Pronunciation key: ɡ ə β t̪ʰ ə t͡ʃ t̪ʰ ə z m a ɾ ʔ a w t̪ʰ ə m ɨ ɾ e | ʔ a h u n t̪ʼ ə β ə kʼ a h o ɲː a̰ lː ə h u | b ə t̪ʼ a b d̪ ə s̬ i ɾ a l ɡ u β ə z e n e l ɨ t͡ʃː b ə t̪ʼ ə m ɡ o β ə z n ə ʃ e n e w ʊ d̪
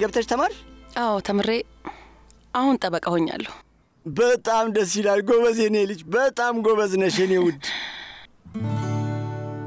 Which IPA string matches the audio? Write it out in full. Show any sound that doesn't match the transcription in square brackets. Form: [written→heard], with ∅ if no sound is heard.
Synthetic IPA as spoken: ɡ ə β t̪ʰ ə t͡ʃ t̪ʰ ə [z→∅] m a ɾ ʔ a w t̪ʰ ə m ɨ ɾ e | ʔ a h u n t̪ʼ ə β ə kʼ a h o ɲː a̰ lː ə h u | b ə t̪ʼ a [b→m] d̪ ə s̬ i [ɾ→l] a l ɡ [u→o] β ə z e n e l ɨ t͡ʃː b ə t̪ʼ [ə→a] m ɡ o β ə z n ə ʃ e n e w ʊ d̪